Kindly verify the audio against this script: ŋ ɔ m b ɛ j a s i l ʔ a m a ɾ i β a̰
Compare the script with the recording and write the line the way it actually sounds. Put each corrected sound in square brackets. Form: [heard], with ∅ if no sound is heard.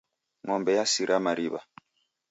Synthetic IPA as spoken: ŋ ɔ m b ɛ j a s i [ɾ] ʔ a m a ɾ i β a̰